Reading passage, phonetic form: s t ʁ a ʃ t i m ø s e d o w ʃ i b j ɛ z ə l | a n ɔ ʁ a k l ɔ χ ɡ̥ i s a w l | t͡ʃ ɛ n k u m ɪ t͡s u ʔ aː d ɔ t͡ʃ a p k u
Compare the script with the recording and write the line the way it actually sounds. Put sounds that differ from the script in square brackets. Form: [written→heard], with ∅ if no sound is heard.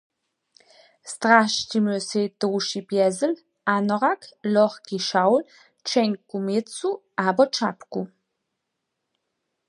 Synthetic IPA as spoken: s t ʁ a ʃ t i m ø s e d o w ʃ i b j ɛ z ə l | a n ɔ ʁ a k l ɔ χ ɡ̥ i [s→ʃ] a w l | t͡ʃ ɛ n k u m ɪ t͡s u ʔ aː [d→b] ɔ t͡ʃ a p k u